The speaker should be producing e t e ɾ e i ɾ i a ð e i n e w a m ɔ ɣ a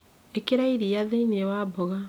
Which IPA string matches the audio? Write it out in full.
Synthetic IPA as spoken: e k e ɾ a i ɾ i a ð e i n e w a b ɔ ɣ a